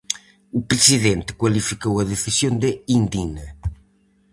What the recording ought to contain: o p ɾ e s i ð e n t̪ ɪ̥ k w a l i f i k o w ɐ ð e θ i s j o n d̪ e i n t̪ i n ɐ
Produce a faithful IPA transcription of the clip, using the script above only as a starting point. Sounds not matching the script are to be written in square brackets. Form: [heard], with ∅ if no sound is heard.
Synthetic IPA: [u] p ɾ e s i ð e n t̪ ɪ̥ k w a l i f i k o w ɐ ð e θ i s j o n d̪ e i n [d̪] i n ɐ